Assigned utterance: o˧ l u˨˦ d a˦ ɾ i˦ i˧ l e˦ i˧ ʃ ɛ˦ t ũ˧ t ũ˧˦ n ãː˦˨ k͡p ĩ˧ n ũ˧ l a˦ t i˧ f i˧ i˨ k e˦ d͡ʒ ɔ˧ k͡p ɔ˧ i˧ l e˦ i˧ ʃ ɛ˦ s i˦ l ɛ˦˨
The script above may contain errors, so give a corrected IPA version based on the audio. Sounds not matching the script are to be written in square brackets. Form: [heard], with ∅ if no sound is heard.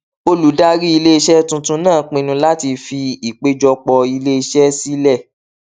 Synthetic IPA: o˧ l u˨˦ d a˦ ɾ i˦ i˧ l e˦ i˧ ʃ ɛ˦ t ũ˧ t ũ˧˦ n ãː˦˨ k͡p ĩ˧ n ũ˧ l a˦ t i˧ f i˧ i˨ [k͡p] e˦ d͡ʒ ɔ˧ k͡p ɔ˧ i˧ l e˦ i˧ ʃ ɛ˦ s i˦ l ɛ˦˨